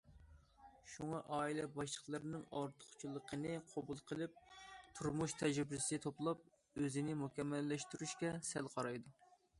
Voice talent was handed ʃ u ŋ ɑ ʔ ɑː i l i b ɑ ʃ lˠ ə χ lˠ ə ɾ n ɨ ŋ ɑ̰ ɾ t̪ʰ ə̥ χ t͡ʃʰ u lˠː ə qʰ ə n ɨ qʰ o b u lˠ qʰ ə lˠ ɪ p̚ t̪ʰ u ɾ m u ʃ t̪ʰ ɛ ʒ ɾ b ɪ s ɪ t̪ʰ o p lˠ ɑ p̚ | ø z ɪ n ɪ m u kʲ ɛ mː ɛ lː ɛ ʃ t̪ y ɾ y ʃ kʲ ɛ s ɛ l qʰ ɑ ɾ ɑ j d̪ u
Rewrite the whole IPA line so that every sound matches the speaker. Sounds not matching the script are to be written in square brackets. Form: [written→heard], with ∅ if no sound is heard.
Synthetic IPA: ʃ u ŋ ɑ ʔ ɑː i l [i→ɛ] b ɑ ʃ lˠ ə χ lˠ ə ɾ n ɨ ŋ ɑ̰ ɾ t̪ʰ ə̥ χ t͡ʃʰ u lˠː ə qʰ ə n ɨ qʰ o b u lˠ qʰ ə lˠ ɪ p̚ t̪ʰ u ɾ m u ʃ t̪ʰ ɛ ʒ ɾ b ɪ s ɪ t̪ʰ o p lˠ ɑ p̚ | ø z ɪ n ɪ m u kʲ ɛ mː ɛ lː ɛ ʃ t̪ y ɾ y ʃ kʲ ɛ s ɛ l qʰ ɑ ɾ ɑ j d̪ u